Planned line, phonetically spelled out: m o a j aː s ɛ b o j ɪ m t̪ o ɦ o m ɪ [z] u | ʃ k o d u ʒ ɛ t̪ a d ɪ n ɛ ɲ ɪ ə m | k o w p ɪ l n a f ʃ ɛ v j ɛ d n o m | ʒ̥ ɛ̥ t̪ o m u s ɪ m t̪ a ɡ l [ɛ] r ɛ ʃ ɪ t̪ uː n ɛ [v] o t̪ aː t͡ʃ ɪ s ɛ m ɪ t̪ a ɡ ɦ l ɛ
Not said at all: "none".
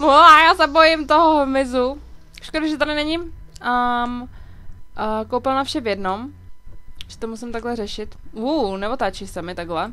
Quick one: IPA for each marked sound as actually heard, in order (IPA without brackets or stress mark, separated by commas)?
z, ɛ, v